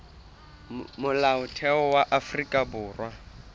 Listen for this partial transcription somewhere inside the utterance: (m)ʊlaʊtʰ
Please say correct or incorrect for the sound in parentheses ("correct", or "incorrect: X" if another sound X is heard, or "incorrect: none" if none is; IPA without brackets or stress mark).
correct